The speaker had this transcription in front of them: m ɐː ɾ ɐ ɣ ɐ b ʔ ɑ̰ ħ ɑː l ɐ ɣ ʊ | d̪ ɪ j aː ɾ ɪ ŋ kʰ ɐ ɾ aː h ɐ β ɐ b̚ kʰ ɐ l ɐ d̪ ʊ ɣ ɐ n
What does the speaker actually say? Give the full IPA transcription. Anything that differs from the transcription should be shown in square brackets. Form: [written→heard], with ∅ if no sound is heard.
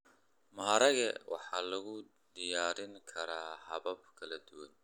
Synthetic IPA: m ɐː ɾ ɐ ɣ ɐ [b→w] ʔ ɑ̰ ħ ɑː l ɐ ɣ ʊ | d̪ ɪ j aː ɾ ɪ ŋ kʰ ɐ ɾ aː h ɐ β ɐ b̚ kʰ ɐ l ɐ d̪ ʊ [ɣ→w] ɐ n

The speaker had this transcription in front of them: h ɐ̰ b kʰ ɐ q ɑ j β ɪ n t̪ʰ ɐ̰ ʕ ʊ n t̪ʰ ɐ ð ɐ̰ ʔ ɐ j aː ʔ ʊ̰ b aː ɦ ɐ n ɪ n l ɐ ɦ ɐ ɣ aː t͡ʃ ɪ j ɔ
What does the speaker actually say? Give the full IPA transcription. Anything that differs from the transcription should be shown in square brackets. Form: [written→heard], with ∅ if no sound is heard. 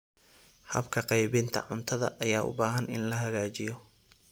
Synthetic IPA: h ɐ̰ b kʰ ɐ q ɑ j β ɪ n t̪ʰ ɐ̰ ʕ ʊ n t̪ʰ ɐ ð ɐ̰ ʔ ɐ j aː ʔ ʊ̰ b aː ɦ ɐ n ɪ n l ɐ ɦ ɐ ɣ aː t͡ʃ ɪ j ɔ

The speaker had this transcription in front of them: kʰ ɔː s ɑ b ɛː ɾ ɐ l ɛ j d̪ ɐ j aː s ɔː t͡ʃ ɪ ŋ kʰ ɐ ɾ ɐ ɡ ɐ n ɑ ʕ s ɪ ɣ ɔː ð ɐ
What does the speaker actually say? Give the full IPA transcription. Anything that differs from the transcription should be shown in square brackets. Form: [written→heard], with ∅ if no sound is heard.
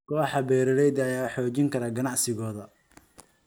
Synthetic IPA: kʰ ɔː [s→ħ] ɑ b ɛː ɾ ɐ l ɛ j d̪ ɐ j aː [s→ħ] ɔː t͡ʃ ɪ ŋ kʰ ɐ ɾ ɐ ɡ ɐ n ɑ ʕ s ɪ ɣ ɔː ð ɐ

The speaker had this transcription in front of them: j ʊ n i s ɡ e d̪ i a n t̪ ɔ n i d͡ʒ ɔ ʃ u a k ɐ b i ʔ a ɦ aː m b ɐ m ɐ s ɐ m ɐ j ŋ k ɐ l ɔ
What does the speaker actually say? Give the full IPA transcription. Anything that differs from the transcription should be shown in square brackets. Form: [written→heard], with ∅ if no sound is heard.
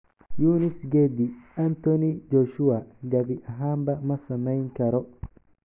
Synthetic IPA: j [ʊ→u] n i s ɡ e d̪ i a n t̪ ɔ n i d͡ʒ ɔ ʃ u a [k→ɡ] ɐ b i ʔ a ɦ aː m b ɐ m ɐ s ɐ m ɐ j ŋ k ɐ [l→ɾ] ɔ

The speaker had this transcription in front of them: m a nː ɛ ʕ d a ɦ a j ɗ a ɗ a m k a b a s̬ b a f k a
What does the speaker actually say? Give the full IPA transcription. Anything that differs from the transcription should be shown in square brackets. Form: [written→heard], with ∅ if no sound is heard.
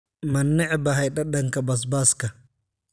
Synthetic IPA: m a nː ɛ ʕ [d→b] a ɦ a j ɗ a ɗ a [m→ŋ] k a b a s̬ b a [f→s] k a

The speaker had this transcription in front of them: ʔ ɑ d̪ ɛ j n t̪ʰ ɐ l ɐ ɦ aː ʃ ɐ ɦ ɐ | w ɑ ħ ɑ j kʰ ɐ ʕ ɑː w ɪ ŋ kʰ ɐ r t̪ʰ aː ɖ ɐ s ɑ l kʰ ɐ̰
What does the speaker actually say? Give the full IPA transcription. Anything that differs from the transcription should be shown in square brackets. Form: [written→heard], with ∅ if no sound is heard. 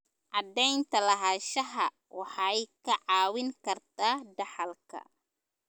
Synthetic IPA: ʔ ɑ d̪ ɛ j n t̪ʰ ɐ l ɐ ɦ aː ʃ ɐ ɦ ɐ | w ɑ ħ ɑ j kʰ ɐ ʕ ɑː w ɪ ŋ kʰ ɐ r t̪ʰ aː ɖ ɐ [s→ħ] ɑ l kʰ ɐ̰

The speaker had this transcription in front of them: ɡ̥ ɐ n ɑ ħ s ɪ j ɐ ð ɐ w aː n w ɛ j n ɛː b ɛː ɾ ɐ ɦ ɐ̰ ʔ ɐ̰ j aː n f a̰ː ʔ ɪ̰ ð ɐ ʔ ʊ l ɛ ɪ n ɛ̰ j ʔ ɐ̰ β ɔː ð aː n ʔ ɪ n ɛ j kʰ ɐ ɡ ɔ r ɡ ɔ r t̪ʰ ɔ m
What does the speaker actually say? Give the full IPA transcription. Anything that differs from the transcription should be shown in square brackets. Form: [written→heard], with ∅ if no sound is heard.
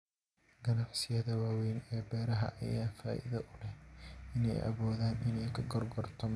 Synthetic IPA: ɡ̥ ɐ n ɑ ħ s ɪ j ɐ ð ɐ w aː [n→∅] w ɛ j n ɛː b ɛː ɾ ɐ ɦ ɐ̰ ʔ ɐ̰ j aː n f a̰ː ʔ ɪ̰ ð ɐ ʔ ʊ l ɛ ɪ n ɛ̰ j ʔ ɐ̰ β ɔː ð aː n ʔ ɪ n ɛ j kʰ ɐ ɡ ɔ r ɡ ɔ r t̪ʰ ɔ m

